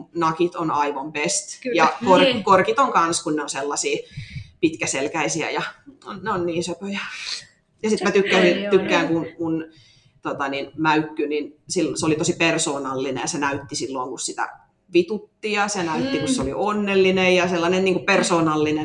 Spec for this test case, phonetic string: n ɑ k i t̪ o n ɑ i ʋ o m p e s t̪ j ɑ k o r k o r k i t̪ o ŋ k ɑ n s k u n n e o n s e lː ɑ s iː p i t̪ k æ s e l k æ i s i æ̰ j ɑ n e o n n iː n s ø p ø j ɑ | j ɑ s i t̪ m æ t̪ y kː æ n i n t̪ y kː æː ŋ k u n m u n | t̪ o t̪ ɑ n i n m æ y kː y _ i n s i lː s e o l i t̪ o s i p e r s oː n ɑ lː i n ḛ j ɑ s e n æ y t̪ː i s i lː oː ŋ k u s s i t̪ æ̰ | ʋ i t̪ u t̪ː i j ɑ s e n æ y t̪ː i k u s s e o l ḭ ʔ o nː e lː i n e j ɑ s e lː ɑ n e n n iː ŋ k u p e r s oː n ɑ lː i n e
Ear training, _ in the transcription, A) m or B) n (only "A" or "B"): B